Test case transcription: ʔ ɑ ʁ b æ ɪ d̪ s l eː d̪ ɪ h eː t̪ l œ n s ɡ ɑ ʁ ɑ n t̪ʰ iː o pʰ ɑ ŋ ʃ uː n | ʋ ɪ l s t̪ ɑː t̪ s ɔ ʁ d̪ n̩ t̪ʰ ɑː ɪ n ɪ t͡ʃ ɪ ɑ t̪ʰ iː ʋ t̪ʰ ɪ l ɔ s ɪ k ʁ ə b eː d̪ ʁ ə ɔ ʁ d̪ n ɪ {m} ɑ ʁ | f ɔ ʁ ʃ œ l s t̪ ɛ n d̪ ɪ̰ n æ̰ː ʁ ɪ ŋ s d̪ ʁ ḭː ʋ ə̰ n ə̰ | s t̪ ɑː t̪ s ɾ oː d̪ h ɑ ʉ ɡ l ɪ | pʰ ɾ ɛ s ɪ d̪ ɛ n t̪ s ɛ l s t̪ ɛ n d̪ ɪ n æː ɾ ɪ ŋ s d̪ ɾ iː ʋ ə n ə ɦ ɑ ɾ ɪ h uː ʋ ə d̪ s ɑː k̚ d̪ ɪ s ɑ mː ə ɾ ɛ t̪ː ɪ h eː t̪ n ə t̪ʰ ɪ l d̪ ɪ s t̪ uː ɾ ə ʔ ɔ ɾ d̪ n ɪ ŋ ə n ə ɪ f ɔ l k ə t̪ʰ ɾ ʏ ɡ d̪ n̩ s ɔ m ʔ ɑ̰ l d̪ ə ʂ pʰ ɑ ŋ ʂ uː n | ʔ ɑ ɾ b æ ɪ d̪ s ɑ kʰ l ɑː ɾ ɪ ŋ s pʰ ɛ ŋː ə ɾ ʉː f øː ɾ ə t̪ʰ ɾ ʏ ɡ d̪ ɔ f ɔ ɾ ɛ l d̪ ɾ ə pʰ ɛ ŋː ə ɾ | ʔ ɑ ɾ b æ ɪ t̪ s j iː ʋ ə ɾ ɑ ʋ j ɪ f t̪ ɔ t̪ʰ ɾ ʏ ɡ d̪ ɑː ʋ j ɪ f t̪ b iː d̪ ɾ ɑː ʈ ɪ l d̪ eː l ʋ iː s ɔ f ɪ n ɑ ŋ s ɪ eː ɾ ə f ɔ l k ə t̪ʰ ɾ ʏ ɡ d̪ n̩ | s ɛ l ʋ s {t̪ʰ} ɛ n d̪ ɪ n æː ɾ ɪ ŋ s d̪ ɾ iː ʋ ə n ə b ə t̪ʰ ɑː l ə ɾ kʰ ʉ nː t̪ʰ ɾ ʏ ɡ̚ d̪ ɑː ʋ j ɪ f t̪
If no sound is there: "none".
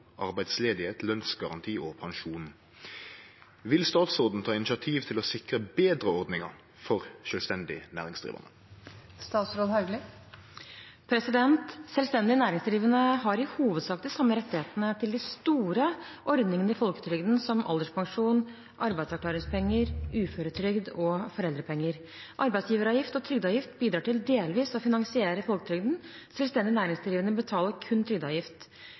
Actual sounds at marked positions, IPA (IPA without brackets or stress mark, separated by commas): ŋ, t̪